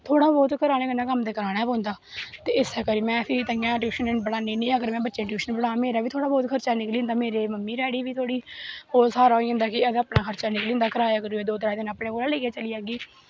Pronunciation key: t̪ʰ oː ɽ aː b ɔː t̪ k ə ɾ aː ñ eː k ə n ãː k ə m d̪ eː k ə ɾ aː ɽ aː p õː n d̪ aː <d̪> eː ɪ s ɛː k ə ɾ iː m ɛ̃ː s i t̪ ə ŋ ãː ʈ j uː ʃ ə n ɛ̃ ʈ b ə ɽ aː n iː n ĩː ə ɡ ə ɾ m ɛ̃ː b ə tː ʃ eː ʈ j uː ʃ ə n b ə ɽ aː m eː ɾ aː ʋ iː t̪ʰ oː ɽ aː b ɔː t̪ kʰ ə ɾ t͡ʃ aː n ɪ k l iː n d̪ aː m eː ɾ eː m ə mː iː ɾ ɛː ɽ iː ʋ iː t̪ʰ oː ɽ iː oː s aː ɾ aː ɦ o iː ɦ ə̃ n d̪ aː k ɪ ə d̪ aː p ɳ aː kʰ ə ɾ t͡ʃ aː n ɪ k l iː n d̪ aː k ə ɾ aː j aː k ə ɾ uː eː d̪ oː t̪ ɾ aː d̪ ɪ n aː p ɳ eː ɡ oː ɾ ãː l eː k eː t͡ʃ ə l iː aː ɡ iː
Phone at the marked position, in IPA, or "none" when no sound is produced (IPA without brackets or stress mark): t̪